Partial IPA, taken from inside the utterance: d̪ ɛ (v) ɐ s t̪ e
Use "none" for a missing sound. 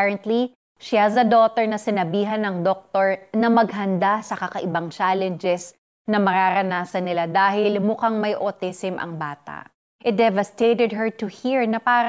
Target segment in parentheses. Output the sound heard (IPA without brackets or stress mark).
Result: v